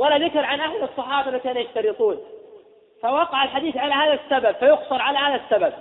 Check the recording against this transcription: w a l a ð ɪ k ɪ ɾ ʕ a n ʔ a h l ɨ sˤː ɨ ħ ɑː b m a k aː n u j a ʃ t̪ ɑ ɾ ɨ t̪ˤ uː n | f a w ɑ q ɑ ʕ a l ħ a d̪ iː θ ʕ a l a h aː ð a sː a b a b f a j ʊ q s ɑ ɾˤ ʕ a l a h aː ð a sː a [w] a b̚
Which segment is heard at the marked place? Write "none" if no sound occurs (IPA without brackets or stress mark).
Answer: b